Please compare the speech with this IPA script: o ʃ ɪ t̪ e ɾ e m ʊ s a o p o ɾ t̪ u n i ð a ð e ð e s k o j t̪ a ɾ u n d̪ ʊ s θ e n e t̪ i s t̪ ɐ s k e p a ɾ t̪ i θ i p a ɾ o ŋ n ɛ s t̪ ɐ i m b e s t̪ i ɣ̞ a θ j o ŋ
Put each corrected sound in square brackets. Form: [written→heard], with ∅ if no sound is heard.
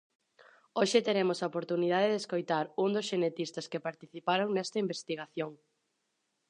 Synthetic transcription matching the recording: o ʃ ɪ t̪ e ɾ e m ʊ s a o p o ɾ t̪ u n i ð a ð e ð e s k o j t̪ a ɾ u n d̪ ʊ s [θ→ʃ] e n e t̪ i s t̪ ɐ s k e p a ɾ t̪ i θ i p a ɾ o ŋ n ɛ s t̪ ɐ i m b e s t̪ i ɣ̞ a θ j o ŋ